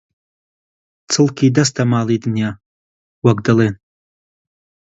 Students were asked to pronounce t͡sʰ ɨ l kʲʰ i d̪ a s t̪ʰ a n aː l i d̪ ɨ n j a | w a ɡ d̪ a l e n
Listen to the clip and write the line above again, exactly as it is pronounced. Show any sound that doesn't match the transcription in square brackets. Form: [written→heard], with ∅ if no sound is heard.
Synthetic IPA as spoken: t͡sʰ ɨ l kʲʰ i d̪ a s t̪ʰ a [n→m] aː l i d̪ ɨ n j a | w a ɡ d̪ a l e n